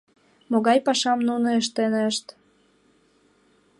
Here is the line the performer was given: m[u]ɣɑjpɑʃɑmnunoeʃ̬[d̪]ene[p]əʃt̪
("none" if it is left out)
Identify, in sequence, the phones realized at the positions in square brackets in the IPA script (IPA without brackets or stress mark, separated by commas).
o, t̪, none